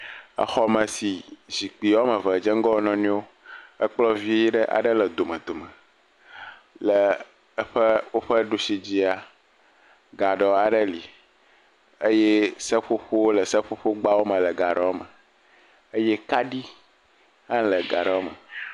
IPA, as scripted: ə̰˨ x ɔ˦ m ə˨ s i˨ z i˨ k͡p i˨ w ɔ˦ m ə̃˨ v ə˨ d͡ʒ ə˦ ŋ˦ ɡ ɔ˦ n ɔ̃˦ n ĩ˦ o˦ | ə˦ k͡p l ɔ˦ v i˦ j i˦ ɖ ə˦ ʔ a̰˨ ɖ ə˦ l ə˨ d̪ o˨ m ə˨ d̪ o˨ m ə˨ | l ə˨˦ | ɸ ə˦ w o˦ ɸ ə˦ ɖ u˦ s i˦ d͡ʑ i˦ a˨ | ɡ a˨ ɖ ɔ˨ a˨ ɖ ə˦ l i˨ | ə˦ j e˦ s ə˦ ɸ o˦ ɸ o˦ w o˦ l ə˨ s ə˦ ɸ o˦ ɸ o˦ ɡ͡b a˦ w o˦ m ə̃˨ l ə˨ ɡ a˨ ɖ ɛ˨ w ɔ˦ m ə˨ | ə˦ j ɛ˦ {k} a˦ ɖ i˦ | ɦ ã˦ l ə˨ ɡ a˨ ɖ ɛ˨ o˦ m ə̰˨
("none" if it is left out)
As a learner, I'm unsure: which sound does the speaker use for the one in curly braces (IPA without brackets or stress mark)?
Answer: k